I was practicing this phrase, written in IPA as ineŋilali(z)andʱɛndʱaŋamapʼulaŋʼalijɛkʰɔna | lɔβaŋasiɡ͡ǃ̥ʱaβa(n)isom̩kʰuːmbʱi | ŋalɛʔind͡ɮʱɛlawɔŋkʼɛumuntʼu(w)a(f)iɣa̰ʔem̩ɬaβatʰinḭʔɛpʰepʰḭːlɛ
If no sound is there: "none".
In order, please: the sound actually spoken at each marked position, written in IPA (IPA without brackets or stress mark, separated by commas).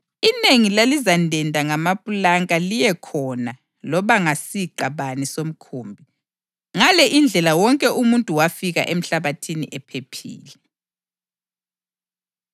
z, n, w, f